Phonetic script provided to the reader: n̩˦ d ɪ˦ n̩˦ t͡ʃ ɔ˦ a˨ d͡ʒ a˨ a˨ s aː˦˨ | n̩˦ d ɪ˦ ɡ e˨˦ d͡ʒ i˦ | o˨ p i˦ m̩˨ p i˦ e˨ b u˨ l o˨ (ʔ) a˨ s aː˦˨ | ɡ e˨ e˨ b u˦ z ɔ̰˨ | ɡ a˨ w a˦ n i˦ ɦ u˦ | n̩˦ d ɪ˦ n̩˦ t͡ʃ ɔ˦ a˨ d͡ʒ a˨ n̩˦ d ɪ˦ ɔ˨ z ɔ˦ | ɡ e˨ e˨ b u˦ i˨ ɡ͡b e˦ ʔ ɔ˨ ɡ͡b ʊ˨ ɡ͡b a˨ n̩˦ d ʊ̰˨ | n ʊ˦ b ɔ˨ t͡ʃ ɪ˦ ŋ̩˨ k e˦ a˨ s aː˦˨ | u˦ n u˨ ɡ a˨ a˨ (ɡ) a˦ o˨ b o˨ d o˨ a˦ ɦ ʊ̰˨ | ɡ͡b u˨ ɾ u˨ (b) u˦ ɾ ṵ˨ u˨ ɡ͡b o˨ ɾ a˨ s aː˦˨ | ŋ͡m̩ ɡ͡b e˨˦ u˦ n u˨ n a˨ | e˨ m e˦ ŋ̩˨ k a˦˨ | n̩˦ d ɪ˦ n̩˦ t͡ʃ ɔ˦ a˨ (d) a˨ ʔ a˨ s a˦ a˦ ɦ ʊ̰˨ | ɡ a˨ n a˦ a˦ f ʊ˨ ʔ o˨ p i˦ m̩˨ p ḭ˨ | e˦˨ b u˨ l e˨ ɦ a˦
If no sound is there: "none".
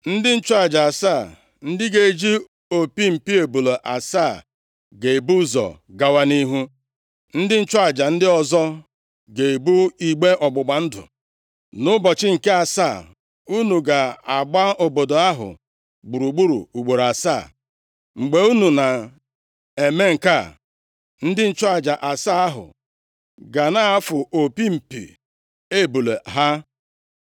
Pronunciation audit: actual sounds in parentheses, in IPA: ʔ, ɡ͡b, ɡ͡b, d͡ʒ

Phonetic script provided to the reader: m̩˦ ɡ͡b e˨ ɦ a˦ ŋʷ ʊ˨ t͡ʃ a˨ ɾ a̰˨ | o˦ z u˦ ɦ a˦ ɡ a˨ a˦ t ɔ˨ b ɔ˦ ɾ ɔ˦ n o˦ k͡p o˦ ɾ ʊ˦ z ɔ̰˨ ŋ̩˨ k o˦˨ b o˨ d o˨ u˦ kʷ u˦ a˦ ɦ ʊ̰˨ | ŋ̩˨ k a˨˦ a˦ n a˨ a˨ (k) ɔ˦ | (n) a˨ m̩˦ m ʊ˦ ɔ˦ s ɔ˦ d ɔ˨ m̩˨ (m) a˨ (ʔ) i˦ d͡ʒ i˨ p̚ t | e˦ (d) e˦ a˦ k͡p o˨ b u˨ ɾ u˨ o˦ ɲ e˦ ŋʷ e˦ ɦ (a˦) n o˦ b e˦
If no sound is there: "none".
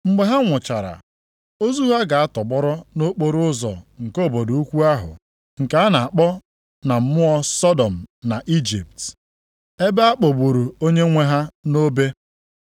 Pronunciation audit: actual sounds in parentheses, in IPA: k͡p, n, n, ʔ, b, a˦

